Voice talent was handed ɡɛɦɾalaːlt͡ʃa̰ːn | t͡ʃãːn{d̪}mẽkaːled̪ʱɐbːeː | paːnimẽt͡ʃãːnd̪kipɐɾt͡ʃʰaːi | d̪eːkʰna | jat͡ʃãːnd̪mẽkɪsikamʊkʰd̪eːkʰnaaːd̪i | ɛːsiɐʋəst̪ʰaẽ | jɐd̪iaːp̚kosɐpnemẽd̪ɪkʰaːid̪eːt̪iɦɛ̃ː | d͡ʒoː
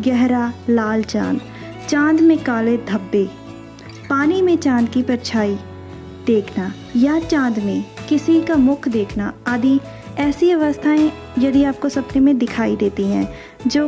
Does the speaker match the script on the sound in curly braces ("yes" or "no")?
yes